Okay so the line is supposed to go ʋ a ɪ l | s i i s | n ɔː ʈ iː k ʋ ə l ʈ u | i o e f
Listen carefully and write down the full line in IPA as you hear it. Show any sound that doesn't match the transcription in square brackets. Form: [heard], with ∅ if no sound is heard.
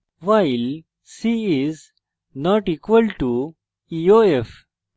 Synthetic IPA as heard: ʋ a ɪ l | s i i [z] | n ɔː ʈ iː k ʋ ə l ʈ u | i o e f